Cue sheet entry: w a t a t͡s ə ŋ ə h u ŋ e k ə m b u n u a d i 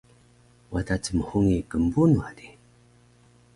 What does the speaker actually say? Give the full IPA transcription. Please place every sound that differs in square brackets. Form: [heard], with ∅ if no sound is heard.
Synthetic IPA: w a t a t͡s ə [m] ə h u ŋ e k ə m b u n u a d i